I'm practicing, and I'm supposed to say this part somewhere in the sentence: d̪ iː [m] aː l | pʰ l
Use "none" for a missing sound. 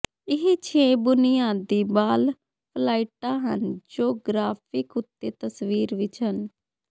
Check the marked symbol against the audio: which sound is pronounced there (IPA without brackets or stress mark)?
b